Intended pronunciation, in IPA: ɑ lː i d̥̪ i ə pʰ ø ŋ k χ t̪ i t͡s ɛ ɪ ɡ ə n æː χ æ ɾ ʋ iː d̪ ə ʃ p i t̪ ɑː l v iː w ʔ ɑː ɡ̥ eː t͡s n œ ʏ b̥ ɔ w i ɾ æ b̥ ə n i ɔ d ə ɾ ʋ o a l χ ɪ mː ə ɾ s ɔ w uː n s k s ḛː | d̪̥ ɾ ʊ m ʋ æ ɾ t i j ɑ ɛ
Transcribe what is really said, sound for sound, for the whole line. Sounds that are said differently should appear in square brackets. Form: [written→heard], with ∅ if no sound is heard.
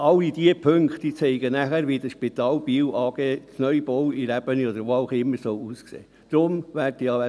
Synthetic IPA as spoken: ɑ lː i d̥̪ i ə pʰ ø ŋ k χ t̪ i t͡s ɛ ɪ ɡ ə n [æː→æ] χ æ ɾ ʋ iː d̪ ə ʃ p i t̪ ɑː l [v→b] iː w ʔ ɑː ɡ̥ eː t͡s n œ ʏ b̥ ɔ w i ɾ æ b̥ ə n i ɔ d ə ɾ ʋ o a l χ ɪ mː ə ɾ s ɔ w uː [n→∅] s k s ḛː | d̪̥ ɾ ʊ m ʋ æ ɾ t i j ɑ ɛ

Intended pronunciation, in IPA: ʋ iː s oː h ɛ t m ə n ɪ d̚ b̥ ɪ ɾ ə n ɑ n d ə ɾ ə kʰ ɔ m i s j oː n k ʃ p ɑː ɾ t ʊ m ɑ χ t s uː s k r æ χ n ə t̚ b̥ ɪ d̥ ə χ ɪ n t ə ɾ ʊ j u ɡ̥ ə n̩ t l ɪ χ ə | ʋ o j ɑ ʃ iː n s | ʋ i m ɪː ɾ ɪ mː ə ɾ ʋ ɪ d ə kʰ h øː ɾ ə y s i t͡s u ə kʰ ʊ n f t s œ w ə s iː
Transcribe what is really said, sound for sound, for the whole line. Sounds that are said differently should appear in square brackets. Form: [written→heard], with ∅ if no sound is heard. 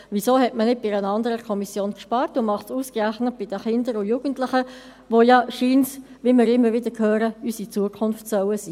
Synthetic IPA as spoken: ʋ [iː→i] s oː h ɛ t m ə n ɪ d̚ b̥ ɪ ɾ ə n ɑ n d ə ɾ ə kʰ ɔ m i s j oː n k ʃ p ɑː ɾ t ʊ m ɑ χ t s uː s k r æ χ n ə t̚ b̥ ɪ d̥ ə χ ɪ n [t→d] ə ɾ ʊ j u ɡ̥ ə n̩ t l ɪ χ ə | ʋ o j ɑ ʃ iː n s | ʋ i m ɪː ɾ ɪ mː ə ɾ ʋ ɪ d ə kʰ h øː ɾ ə y s i t͡s u ə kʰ ʊ n f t s œ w ə s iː

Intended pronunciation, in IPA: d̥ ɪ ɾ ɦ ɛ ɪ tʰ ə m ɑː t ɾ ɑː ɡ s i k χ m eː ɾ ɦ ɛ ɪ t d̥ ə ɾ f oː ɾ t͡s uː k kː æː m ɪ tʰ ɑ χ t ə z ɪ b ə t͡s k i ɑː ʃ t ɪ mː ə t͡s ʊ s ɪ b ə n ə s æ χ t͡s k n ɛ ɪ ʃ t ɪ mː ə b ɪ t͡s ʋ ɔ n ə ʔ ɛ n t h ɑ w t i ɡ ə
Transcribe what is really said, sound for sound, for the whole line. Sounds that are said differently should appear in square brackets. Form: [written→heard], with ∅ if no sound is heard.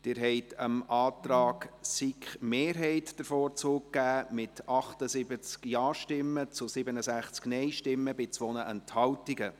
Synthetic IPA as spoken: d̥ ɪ ɾ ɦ ɛ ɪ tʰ ə m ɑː t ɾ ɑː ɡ s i k χ m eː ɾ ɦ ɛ ɪ t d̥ ə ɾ f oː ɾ t͡s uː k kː æː m ɪ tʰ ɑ χ t ə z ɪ b ə t͡s k [i→j] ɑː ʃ t ɪ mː ə t͡s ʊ s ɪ b ə n ə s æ χ t͡s k n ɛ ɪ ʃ t ɪ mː ə b ɪ t͡s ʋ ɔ n ə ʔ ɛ n t h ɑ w t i ɡ ə

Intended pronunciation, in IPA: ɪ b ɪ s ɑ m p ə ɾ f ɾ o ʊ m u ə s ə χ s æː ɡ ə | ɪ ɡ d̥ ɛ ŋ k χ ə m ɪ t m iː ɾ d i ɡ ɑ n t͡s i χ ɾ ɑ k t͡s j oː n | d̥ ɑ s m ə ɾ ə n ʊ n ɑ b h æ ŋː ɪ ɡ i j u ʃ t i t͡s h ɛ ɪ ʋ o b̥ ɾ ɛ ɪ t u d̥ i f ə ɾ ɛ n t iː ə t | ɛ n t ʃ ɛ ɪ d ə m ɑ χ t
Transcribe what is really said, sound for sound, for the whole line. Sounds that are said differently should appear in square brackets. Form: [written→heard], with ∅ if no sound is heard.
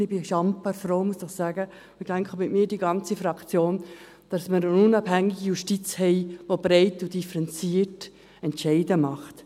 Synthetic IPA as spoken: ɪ b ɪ [s→ʃ] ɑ m p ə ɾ f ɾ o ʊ m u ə s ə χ s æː ɡ ə | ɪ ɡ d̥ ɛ ŋ k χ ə m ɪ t m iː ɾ d i ɡ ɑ n t͡s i [χ→f] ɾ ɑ k t͡s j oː n | d̥ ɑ s m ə ɾ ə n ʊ n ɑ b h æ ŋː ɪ ɡ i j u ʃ t i t͡s h ɛ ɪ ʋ o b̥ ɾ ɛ ɪ t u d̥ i f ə ɾ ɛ n [t→t͡s] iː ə t | ɛ n t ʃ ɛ ɪ d ə m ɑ χ t

